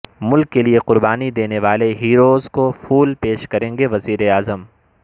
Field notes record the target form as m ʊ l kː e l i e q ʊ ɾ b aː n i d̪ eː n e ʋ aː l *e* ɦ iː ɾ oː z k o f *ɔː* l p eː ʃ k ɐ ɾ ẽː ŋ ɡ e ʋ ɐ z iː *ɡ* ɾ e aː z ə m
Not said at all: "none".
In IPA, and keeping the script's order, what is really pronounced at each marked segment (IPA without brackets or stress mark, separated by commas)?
e, uː, none